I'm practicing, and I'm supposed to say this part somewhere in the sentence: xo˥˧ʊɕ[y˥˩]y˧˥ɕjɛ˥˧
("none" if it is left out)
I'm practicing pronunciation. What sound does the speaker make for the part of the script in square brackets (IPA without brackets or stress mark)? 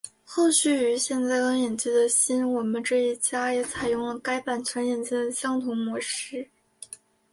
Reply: y˥˩